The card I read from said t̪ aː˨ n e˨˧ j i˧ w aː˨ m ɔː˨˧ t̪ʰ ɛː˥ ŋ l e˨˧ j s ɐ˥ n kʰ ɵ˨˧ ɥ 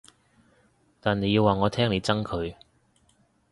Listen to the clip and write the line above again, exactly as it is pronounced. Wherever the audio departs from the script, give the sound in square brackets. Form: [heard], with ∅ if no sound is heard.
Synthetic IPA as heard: t̪ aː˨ n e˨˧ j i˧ w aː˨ [ŋ] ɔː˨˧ t̪ʰ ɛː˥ ŋ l e˨˧ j [t͡s] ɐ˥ [ŋ] kʰ ɵ˨˧ ɥ